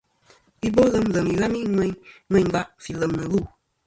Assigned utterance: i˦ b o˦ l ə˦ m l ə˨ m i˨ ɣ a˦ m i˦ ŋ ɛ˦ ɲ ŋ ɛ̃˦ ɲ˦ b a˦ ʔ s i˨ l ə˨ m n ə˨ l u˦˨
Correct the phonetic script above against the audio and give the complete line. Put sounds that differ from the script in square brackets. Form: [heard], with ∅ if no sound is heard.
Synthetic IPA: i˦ b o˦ l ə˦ m l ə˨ m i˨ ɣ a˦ m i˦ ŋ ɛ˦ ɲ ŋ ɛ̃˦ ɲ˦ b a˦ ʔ [f] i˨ l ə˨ m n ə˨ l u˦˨